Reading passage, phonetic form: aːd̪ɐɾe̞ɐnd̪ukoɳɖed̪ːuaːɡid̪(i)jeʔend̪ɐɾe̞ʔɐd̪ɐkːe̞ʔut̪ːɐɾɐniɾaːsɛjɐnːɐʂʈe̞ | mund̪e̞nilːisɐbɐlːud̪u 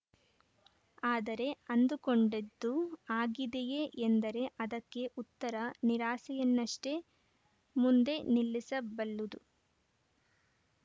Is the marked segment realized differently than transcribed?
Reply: yes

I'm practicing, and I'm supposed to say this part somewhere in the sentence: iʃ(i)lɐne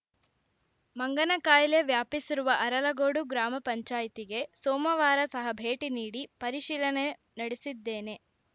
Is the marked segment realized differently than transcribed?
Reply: yes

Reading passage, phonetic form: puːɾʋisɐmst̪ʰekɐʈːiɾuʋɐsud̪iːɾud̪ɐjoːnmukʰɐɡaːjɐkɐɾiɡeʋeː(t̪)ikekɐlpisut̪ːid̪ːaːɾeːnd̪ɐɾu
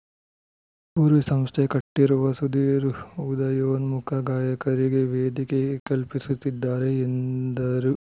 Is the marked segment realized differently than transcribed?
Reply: yes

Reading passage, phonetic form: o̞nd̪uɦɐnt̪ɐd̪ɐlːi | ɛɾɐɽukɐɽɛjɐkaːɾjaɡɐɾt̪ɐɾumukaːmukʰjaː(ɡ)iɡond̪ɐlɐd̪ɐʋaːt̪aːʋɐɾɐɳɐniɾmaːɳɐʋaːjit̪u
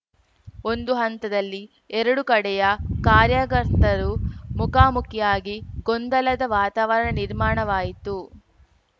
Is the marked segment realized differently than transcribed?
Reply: no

